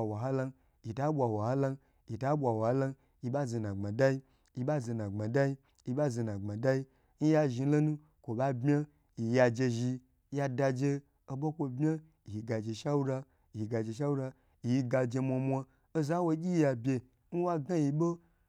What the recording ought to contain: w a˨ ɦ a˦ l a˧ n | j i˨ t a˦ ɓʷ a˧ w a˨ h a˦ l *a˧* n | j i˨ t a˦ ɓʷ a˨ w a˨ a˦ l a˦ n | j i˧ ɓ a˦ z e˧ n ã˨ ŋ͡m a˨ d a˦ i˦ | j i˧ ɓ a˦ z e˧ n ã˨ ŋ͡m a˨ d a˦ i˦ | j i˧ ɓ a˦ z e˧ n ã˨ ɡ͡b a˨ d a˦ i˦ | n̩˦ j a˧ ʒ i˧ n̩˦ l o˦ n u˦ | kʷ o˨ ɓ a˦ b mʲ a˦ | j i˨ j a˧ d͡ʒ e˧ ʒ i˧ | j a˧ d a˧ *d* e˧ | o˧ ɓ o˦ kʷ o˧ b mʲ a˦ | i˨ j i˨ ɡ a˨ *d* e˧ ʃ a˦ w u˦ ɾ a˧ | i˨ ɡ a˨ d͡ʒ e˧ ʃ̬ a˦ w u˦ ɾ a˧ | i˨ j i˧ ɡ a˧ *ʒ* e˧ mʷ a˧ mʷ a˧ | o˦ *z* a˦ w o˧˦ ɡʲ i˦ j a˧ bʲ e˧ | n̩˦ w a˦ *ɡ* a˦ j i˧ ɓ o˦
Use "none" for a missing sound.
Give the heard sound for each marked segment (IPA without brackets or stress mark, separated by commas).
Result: a˧, d͡ʒ, d͡ʒ, d͡ʒ, z, ɡ